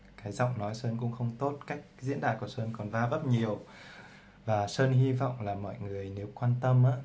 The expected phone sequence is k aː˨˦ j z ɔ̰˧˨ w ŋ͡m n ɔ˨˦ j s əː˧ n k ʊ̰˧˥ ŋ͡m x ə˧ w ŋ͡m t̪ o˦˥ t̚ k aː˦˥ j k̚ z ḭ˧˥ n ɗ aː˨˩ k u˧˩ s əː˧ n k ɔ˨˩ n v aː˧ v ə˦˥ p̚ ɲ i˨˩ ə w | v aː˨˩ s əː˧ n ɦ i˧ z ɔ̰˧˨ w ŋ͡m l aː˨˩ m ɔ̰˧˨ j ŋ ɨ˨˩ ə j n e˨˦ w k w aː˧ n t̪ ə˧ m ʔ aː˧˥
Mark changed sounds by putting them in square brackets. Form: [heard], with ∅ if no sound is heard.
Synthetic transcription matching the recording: k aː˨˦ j z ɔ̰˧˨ w ŋ͡m n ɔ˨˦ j s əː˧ n k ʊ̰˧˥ ŋ͡m x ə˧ w ŋ͡m t̪ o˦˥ t̚ k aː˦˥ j k̚ z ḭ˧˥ n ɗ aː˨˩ k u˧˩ s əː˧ n k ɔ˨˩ n v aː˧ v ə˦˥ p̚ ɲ i˨˩ ə w | v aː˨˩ s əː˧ n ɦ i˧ [v] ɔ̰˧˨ w ŋ͡m l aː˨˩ m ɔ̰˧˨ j ŋ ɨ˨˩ ə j n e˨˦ w k w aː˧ n t̪ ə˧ m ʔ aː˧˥

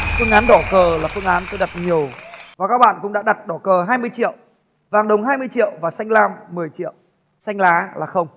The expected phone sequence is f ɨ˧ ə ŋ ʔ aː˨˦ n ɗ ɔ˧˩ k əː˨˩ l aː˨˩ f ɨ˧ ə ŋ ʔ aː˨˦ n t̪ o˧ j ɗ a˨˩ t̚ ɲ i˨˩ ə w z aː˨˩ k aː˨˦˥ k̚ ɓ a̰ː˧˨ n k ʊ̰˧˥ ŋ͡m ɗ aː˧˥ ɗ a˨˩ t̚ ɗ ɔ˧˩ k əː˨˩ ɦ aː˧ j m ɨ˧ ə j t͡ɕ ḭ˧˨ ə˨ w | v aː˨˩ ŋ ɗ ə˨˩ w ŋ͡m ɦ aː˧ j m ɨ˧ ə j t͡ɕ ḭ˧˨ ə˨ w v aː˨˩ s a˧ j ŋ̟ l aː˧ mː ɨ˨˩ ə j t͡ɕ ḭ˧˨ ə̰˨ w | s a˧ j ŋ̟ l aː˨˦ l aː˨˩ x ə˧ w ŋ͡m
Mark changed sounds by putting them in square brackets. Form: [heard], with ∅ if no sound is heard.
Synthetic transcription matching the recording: f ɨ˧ ə ŋ ʔ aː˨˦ n ɗ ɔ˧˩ k əː˨˩ l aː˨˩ f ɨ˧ ə ŋ ʔ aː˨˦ n t̪ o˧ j ɗ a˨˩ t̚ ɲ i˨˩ ə w [v] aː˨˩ k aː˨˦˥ k̚ ɓ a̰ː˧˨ n k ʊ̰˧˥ ŋ͡m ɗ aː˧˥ ɗ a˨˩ t̚ ɗ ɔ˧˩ k əː˨˩ ɦ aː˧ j m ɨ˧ ə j t͡ɕ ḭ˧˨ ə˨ w | v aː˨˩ ŋ ɗ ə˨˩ w ŋ͡m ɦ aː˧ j m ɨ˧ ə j t͡ɕ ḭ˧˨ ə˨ w v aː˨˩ s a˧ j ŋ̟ l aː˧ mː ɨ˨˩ ə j t͡ɕ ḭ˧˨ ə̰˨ w | s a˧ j ŋ̟ l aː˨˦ l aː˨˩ x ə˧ w ŋ͡m

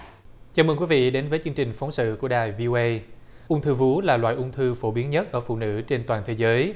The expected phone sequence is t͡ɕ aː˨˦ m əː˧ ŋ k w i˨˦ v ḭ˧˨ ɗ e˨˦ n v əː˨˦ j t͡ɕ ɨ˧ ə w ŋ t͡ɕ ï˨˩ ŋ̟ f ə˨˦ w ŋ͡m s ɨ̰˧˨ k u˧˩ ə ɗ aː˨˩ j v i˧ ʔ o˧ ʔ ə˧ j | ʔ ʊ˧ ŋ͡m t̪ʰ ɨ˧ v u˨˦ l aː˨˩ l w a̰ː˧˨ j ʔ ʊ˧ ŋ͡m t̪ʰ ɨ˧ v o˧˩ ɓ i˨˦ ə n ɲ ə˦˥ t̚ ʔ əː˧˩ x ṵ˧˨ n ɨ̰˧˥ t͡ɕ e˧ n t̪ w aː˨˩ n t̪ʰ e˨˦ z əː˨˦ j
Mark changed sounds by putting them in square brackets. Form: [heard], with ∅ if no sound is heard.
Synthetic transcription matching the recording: t͡ɕ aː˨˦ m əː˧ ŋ k w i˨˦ v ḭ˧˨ ɗ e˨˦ n v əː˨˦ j t͡ɕ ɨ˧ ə [∅] ŋ t͡ɕ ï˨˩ ŋ̟ f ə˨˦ w ŋ͡m s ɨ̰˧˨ k u˧˩ ə ɗ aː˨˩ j v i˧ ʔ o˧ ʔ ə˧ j | ʔ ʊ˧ ŋ͡m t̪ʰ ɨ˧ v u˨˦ l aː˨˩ l w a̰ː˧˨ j ʔ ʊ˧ ŋ͡m t̪ʰ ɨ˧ [f] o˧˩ ɓ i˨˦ ə n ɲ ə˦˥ t̚ ʔ əː˧˩ [f] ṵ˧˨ n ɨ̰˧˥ t͡ɕ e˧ n t̪ w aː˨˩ n t̪ʰ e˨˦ z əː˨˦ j

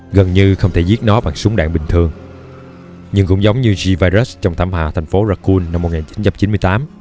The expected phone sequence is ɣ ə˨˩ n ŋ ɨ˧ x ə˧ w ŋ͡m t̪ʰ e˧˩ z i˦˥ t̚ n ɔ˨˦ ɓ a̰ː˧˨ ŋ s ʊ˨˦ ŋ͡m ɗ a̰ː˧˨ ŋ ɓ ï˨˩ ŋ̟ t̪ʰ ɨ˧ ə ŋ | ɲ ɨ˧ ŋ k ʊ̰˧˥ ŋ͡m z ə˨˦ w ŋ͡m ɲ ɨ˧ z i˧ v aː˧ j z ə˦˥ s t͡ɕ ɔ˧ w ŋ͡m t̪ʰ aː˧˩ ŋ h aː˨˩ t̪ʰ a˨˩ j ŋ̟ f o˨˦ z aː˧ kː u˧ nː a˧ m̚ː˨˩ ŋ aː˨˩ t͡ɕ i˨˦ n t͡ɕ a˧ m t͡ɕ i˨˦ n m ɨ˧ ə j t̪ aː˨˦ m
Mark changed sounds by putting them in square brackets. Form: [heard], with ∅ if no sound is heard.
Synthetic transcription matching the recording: ɣ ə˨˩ n [ɲ] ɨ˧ x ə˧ w ŋ͡m t̪ʰ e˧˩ z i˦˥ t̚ n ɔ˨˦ ɓ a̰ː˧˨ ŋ s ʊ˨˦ ŋ͡m ɗ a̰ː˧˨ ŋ ɓ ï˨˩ ŋ̟ t̪ʰ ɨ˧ ə ŋ | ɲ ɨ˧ ŋ k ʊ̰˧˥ ŋ͡m z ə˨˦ w ŋ͡m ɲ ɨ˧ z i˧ v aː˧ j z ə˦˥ s t͡ɕ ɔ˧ w ŋ͡m t̪ʰ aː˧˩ [m] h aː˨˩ t̪ʰ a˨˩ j ŋ̟ f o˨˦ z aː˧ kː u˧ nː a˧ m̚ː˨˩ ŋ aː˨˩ t͡ɕ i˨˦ n t͡ɕ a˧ m t͡ɕ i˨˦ n m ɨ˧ ə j t̪ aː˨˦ m

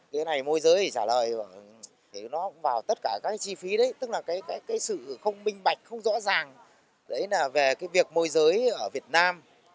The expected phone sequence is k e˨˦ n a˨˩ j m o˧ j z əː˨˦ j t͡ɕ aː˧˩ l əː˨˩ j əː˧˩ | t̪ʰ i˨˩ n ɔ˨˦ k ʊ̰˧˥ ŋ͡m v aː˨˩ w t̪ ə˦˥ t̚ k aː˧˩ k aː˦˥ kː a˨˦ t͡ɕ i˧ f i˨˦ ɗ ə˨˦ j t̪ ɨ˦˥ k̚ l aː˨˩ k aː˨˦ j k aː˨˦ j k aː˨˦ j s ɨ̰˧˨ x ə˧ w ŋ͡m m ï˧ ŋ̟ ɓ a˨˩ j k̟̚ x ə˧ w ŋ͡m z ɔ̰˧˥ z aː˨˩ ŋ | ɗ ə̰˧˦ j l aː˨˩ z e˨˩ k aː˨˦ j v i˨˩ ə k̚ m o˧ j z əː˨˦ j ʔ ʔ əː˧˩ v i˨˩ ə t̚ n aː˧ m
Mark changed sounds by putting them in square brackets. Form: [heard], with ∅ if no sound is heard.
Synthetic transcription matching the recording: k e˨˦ n a˨˩ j m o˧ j z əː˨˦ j t͡ɕ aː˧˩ l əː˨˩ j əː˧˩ | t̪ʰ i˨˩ n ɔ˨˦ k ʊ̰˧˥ ŋ͡m v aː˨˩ w t̪ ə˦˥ t̚ k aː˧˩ k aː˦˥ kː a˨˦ t͡ɕ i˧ f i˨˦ ɗ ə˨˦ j t̪ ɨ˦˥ k̚ l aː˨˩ k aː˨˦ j k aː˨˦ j k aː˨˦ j s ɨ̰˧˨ x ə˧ w ŋ͡m m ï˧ ŋ̟ ɓ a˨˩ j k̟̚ x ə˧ w ŋ͡m z ɔ̰˧˥ z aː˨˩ ŋ | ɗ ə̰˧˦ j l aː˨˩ [v] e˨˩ k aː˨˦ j v i˨˩ ə k̚ m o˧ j z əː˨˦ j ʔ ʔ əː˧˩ v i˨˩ ə t̚ n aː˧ m

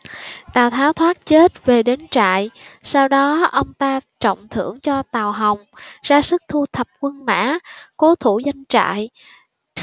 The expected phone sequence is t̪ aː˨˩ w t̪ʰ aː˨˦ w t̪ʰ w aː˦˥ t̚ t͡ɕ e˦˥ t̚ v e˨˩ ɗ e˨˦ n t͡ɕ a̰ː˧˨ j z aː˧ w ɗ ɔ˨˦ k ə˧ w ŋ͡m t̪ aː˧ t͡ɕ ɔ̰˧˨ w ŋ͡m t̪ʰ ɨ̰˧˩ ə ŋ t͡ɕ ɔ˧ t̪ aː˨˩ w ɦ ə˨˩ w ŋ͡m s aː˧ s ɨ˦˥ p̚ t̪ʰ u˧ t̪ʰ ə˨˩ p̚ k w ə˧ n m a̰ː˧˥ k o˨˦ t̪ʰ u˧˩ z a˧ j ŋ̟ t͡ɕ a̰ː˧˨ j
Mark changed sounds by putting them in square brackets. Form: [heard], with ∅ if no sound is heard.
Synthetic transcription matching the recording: t̪ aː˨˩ w t̪ʰ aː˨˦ w t̪ʰ w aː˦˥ t̚ t͡ɕ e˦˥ t̚ v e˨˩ ɗ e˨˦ n t͡ɕ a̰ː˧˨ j [s] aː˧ w ɗ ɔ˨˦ [ʔ] ə˧ w ŋ͡m t̪ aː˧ t͡ɕ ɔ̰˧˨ w ŋ͡m t̪ʰ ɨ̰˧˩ ə ŋ t͡ɕ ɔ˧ t̪ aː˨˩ w ɦ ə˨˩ w ŋ͡m [z] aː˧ s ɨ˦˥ [k̚] t̪ʰ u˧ t̪ʰ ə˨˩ p̚ k w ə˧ n m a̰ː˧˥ k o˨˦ t̪ʰ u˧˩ z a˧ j ŋ̟ t͡ɕ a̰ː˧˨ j

